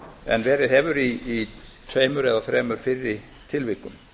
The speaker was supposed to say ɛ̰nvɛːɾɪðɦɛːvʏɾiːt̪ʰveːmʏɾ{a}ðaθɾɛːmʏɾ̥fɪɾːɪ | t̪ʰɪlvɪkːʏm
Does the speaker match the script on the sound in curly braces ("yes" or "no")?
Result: no